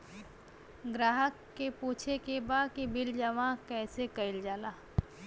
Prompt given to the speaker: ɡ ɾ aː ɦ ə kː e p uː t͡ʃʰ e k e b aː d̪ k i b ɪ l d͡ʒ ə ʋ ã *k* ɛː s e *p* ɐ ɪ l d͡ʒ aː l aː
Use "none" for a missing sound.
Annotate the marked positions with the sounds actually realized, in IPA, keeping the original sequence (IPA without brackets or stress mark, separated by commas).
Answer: k, k